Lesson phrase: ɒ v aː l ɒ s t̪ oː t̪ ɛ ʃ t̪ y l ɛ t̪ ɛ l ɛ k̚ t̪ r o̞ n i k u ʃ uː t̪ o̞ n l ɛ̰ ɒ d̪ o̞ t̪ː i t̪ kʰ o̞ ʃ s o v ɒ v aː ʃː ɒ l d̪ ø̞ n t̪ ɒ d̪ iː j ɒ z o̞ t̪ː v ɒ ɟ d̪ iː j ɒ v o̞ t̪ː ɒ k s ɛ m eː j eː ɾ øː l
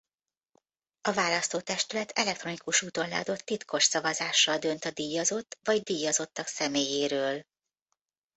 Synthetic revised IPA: ɒ v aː l ɒ s t̪ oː t̪ ɛ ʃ t̪ y l ɛ t̪ ɛ l ɛ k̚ t̪ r o̞ n i k u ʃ uː t̪ o̞ n l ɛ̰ ɒ d̪ o̞ t̪ː i t̪ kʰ o̞ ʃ s ɒ v ɒ z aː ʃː ɒ l d̪ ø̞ n t̪ ɒ d̪ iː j ɒ z o̞ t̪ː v ɒ ɟ d̪ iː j ɒ z o̞ t̪ː ɒ k s ɛ m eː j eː ɾ øː l